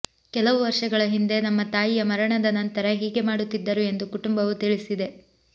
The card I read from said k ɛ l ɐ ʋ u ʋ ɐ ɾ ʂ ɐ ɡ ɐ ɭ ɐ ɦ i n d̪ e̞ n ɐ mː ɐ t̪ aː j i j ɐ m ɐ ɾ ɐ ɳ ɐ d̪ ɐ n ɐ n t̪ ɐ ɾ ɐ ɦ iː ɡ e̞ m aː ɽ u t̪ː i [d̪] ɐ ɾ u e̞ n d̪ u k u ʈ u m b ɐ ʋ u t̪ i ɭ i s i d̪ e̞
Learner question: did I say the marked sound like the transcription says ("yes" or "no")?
no